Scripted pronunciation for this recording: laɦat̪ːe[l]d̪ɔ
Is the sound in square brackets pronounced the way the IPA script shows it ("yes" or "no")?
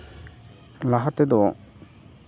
no